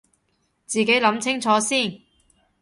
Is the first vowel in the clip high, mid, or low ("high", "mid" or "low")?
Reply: high